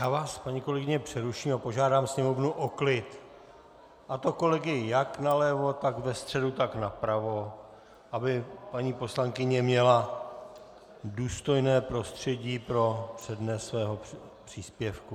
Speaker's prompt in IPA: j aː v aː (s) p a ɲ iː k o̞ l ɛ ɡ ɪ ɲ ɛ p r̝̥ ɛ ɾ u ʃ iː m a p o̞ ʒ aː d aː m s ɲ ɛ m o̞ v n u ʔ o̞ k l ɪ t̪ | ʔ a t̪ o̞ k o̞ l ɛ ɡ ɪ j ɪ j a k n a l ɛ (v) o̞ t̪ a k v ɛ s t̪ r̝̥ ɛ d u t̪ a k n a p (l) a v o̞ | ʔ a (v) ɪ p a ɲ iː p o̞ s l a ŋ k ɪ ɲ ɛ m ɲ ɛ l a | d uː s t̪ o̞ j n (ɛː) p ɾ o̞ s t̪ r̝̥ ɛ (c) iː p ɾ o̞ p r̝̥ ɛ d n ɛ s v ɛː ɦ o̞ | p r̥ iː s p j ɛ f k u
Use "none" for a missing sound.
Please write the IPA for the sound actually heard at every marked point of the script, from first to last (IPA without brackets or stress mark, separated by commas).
s, v, ɾ, b, ɛː, ɟ